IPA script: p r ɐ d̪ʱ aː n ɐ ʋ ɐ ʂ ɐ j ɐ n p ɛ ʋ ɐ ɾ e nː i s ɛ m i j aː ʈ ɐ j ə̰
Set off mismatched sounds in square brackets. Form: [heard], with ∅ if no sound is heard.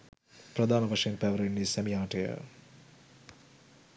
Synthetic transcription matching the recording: p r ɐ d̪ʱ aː n ɐ ʋ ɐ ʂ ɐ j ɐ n p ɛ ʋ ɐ ɾ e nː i s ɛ m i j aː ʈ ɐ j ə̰